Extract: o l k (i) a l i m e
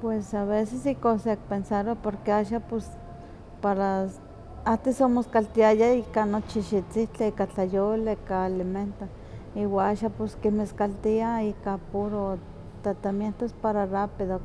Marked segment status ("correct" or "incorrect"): incorrect